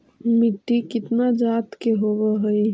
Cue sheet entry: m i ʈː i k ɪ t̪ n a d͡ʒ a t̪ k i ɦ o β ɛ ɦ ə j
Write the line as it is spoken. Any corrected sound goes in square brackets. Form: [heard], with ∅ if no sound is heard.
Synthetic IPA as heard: m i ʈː i k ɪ t̪ n a d͡ʒ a t̪ k [e] ɦ o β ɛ ɦ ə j